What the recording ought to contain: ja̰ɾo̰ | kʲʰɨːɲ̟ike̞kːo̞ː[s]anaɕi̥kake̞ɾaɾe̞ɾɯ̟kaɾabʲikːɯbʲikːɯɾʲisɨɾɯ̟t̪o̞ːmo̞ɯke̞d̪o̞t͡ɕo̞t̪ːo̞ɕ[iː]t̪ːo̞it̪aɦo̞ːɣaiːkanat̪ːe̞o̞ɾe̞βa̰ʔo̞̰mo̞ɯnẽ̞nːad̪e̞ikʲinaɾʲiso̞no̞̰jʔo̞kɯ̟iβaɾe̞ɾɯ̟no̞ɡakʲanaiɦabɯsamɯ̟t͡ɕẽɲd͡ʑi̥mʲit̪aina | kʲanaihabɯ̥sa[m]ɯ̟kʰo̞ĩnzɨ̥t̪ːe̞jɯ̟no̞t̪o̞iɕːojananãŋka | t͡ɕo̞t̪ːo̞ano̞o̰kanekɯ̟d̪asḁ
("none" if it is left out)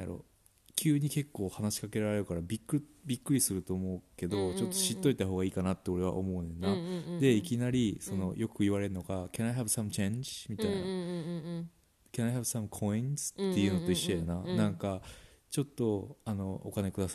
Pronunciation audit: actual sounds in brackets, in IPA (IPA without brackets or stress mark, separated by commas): h, i, m